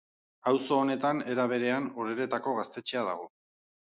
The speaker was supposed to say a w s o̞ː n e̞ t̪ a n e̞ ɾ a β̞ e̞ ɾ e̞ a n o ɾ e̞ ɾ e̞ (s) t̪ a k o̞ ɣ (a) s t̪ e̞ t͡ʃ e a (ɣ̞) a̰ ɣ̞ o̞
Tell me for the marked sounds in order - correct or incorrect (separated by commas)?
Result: incorrect, correct, incorrect